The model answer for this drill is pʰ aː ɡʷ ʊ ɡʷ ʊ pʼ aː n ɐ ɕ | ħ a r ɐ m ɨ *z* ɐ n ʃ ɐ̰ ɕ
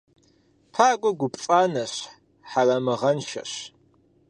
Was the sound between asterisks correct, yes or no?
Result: no